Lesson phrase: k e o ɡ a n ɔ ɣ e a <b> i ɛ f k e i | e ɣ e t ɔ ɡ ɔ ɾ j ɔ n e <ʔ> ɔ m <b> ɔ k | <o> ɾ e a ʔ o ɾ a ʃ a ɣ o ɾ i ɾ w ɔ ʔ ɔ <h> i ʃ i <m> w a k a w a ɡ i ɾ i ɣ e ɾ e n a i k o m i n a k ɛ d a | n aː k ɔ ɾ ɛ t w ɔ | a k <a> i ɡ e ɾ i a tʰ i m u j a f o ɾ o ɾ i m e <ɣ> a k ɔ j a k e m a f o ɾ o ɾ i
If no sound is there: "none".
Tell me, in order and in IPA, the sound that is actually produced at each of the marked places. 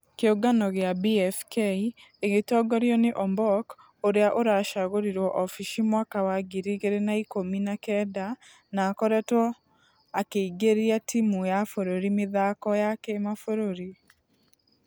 b, ʔ, b, o, f, m, e, ð

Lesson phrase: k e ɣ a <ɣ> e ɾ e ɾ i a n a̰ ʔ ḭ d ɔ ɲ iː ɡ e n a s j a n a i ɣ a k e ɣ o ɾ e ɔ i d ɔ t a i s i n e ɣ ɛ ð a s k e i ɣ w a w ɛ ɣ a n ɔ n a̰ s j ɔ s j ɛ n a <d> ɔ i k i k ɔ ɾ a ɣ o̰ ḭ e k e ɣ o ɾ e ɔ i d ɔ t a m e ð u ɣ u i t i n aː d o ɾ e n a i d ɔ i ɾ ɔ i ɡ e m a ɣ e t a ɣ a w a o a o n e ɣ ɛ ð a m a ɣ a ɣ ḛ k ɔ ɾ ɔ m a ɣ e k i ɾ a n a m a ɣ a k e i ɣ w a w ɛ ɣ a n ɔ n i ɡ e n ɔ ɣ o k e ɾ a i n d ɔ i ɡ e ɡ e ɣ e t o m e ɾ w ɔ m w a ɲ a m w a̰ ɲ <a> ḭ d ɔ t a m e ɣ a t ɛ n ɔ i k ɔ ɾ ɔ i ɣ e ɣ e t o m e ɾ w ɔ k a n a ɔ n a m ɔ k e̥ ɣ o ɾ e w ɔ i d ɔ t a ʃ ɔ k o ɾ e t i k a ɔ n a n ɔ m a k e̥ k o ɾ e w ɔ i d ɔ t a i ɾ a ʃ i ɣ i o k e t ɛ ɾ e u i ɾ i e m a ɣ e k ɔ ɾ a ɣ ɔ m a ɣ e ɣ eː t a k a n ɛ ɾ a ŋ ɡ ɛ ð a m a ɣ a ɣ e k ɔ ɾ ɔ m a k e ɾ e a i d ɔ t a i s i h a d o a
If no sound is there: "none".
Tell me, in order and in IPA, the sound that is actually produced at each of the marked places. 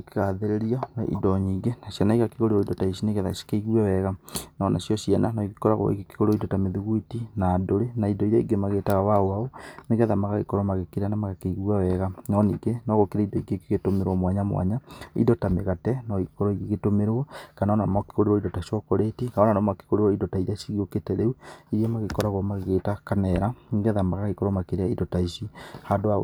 ð, n, a

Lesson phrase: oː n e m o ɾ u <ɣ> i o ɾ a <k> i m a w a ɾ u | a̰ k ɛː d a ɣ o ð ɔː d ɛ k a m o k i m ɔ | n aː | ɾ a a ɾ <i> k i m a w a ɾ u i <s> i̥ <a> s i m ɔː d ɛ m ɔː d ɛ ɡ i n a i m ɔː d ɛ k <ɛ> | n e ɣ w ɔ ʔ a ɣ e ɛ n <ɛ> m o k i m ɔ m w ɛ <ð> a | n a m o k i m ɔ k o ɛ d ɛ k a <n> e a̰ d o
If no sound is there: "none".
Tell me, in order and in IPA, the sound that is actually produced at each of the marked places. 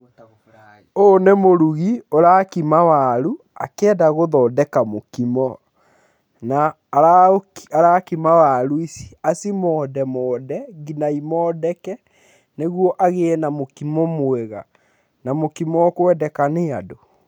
ɣ, k, a, s, a, ɛ, a, ɣ, n

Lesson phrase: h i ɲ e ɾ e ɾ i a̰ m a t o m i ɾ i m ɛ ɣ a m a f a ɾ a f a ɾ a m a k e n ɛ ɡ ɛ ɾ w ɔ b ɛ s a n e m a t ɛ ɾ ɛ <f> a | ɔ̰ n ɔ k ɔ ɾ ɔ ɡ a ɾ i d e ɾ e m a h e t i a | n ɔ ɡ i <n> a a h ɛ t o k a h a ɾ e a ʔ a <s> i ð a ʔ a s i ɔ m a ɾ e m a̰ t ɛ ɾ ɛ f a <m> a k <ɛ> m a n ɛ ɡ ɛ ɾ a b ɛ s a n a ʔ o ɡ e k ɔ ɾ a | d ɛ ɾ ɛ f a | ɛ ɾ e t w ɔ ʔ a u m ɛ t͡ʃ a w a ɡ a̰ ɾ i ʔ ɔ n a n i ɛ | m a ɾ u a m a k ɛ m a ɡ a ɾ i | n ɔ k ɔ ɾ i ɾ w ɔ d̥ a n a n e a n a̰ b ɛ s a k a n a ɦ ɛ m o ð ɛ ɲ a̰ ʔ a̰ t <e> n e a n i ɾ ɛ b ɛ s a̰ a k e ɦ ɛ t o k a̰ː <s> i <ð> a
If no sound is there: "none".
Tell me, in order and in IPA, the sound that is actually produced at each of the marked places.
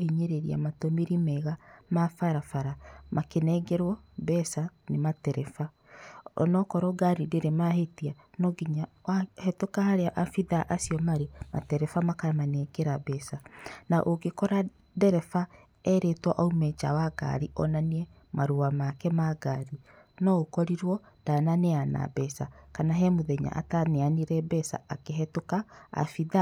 f, ɲ, f, m, a, a, f, ð

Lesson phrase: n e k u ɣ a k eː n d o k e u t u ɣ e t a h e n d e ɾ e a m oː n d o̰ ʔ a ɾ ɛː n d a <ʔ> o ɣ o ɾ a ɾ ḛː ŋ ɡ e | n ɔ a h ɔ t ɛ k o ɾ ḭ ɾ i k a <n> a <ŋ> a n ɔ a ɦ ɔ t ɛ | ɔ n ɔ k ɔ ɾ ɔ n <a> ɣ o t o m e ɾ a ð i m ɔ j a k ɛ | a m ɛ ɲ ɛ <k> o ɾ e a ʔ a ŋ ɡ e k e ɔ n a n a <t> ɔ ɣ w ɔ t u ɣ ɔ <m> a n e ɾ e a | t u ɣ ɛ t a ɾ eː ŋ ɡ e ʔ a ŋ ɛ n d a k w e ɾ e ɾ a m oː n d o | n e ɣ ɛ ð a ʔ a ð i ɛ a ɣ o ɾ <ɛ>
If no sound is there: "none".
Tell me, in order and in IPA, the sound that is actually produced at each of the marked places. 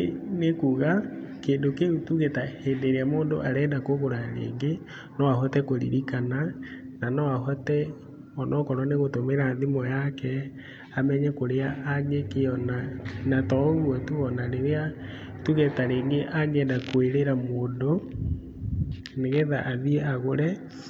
k, n, n, e, k, t, n, ɛ

